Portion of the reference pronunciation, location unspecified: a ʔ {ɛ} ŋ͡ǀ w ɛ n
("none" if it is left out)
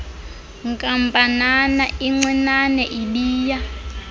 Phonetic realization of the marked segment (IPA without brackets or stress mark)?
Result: i